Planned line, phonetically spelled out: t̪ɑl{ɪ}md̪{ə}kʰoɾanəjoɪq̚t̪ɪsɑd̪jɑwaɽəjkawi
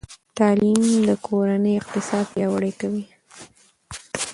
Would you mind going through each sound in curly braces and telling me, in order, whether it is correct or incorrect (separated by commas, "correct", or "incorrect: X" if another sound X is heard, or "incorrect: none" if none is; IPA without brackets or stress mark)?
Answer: incorrect: i, correct